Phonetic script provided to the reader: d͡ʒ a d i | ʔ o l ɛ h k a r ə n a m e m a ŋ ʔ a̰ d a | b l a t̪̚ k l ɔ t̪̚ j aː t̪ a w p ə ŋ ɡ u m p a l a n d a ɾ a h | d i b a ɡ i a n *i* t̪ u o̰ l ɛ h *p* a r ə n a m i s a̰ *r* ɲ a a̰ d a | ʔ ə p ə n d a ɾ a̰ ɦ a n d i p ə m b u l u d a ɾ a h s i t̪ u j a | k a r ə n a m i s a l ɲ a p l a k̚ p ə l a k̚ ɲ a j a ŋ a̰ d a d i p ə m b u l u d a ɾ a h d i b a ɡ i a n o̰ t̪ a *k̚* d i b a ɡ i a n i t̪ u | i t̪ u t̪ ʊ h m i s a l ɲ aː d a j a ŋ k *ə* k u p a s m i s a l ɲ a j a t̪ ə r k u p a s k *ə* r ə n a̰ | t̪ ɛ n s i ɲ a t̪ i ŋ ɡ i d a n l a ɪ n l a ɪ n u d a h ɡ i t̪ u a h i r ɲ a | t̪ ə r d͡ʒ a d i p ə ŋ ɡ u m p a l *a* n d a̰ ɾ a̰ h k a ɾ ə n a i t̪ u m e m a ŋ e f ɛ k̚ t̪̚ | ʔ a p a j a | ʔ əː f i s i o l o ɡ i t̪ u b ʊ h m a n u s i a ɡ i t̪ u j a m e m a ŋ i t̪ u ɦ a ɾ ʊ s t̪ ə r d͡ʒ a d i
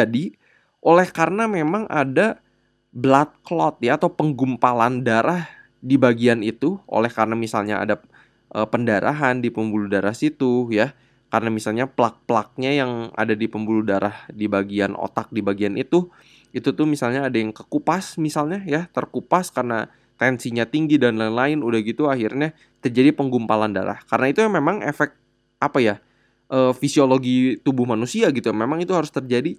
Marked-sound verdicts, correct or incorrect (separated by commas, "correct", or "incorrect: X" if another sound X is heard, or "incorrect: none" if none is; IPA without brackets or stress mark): correct, incorrect: k, incorrect: l, correct, correct, incorrect: a, correct